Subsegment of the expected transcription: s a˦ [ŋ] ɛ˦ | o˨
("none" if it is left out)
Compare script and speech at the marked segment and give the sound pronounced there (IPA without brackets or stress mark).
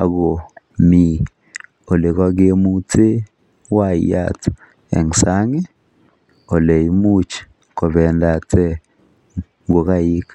ŋ